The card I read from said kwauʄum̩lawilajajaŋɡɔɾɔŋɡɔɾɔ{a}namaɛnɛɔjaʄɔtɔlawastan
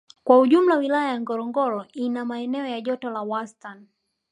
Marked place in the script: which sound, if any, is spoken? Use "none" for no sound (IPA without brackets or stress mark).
i